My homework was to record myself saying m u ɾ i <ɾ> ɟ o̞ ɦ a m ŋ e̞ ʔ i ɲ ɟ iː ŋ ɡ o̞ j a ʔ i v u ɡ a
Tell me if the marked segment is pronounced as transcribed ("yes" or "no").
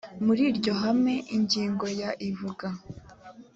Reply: yes